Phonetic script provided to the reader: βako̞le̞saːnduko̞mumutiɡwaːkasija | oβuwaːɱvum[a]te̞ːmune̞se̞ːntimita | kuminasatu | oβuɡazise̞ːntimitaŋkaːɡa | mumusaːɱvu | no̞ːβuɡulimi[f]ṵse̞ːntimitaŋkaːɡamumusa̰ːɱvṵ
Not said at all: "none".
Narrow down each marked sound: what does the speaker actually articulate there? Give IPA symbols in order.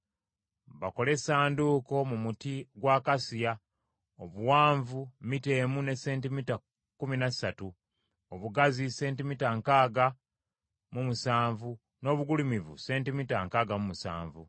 i, v

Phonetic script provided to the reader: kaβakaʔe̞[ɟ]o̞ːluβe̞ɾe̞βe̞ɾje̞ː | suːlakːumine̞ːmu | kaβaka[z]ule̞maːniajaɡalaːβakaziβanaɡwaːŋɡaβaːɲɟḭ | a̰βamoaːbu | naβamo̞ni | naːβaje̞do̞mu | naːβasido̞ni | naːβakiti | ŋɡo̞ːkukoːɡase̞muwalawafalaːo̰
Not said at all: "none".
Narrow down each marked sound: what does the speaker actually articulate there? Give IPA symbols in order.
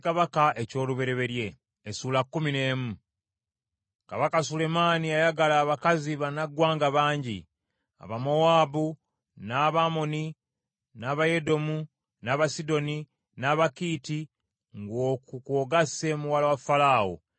c, s

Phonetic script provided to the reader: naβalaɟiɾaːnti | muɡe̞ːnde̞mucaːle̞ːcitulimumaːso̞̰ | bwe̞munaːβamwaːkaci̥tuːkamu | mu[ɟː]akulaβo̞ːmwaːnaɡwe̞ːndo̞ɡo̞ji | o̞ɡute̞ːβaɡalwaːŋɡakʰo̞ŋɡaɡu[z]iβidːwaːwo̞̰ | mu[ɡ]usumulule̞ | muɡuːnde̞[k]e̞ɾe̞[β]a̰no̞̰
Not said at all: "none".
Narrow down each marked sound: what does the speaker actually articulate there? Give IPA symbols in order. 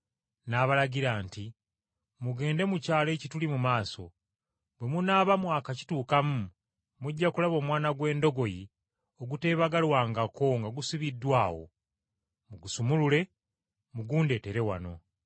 ɟː, s, ɡ, t, w

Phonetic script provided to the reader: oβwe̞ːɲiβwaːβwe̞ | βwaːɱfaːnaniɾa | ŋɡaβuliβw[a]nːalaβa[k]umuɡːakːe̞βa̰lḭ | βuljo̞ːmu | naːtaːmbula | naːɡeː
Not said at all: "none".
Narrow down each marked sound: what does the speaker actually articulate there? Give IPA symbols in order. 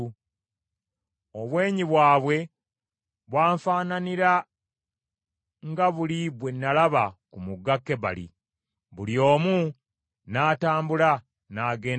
e, k

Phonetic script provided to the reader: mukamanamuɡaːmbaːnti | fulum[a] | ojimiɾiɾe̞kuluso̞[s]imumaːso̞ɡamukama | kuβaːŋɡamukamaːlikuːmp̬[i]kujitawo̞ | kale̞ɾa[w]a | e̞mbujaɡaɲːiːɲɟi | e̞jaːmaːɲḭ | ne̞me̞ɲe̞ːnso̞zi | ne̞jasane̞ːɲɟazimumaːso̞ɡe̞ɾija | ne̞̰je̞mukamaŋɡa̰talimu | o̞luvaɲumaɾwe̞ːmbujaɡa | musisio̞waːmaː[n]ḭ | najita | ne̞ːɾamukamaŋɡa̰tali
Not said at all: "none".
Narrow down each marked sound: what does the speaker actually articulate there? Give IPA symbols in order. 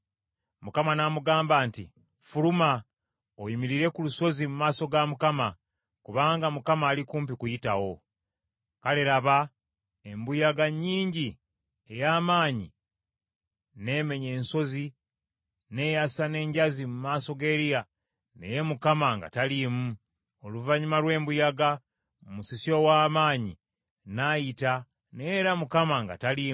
a, z, i, β, ɲ

